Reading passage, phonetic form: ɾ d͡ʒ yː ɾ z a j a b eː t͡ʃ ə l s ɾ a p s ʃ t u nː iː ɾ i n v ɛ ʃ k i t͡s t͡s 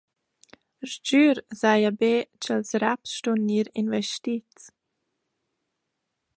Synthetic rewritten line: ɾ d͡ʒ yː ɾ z a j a b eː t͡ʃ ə l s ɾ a p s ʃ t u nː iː ɾ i n v ɛ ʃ t i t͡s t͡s

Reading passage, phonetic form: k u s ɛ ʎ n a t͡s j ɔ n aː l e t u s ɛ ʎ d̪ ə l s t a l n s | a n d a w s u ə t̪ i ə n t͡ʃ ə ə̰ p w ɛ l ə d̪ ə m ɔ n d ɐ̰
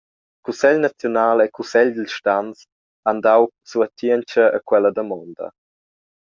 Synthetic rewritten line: k u s ɛ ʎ n a t͡s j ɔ n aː l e k u s ɛ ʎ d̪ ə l ʃ t a n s | a n d a w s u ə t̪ i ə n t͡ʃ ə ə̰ k w ɛ l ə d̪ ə m ɔ n d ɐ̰

